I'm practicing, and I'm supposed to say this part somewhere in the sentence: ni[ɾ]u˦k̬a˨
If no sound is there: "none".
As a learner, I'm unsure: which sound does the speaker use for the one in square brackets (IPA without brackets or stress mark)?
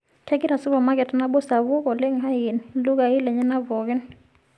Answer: l